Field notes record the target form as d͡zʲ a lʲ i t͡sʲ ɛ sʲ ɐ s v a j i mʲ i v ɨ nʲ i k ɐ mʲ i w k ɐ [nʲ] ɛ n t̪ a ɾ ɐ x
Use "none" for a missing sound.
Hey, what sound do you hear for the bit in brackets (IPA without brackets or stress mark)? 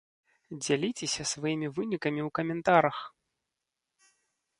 mʲ